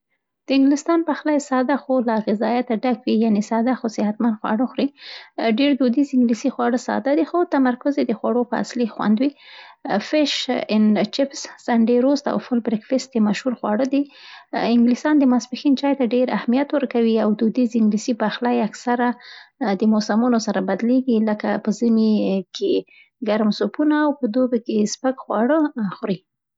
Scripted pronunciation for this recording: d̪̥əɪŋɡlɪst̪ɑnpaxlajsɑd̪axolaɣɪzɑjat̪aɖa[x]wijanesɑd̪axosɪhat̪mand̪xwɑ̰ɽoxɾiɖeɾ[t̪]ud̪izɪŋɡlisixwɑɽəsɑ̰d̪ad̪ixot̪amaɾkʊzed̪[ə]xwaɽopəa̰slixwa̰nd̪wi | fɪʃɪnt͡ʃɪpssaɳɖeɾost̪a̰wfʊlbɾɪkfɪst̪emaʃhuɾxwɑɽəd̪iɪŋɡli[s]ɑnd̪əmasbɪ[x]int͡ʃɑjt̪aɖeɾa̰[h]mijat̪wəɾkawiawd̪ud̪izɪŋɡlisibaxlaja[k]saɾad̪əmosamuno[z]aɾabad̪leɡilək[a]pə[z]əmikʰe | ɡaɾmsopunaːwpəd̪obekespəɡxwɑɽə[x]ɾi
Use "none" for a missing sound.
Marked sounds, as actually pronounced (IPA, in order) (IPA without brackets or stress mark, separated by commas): k, d̪, ə, s, x, h, k, s, a, z, x